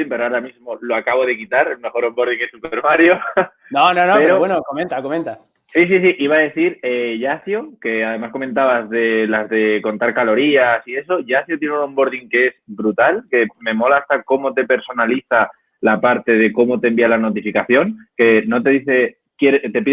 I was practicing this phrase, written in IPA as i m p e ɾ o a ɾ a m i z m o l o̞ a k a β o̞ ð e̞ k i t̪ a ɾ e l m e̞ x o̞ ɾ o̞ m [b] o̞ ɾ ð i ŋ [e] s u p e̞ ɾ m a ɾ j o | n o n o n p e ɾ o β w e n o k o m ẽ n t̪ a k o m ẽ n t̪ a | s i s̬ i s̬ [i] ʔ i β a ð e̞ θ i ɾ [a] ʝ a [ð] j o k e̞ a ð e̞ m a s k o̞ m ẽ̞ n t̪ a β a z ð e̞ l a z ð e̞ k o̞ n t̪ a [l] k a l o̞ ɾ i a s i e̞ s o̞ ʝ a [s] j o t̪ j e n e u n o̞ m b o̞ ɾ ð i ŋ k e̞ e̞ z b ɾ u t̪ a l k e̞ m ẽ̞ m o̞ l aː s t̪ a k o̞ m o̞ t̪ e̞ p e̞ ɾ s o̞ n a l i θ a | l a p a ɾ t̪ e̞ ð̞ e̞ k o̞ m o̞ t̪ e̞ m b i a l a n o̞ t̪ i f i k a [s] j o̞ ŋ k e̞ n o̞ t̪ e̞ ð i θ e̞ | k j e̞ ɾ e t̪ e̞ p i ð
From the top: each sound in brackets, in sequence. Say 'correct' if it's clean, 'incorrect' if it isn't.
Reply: correct, correct, correct, incorrect: e, incorrect: θ, incorrect: ɾ, incorrect: θ, incorrect: θ

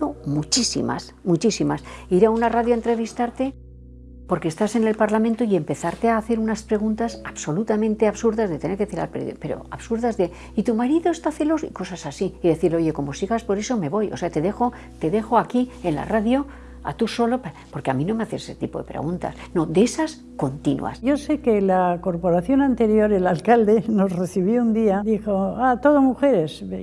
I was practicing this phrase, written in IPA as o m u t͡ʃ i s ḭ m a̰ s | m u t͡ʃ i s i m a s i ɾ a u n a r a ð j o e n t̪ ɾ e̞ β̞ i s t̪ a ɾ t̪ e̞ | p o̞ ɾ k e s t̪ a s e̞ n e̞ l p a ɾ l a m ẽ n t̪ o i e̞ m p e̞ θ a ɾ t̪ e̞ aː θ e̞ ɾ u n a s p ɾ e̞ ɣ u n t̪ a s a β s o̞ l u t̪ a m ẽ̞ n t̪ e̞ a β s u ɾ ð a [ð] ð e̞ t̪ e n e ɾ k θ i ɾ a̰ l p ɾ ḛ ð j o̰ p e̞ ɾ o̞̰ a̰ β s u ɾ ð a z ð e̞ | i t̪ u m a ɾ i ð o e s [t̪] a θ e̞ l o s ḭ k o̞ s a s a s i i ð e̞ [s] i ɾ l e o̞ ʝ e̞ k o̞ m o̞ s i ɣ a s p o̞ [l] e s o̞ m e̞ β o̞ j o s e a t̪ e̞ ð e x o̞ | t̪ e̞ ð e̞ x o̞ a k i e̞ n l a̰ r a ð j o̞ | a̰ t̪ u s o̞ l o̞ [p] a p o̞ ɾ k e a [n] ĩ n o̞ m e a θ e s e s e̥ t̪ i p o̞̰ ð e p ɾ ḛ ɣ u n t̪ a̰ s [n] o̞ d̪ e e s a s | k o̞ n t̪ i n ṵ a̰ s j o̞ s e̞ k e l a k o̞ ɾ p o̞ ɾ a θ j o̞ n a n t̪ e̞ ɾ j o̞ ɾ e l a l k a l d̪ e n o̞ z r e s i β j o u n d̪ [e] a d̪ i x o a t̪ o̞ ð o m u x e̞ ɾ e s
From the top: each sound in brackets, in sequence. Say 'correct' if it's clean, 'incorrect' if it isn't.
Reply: incorrect: z, correct, incorrect: θ, incorrect: ɾ, correct, incorrect: m, correct, incorrect: i

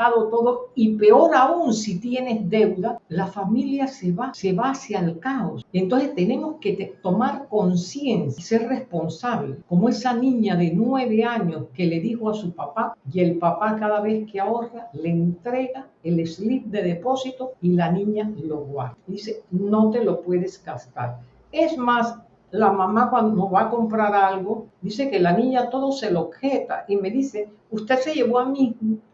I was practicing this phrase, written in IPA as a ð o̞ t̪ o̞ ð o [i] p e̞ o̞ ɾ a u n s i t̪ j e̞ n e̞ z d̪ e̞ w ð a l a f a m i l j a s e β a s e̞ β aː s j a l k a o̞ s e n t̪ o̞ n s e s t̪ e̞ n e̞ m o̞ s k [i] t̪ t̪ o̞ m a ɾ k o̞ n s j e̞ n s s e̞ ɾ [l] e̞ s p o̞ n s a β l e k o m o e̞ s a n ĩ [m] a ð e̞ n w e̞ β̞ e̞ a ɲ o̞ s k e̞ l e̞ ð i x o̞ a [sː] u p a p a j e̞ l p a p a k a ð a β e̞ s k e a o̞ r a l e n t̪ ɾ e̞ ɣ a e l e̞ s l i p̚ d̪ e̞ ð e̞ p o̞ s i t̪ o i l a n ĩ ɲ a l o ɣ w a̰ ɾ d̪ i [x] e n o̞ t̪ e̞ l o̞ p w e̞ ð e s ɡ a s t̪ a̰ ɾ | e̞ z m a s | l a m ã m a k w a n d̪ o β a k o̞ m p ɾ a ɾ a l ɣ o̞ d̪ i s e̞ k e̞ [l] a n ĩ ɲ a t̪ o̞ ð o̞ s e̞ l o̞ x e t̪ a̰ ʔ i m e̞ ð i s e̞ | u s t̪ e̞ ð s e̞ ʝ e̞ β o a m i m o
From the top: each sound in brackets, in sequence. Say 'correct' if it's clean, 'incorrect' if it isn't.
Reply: correct, incorrect: e, incorrect: r, incorrect: ɲ, incorrect: s, incorrect: s, correct

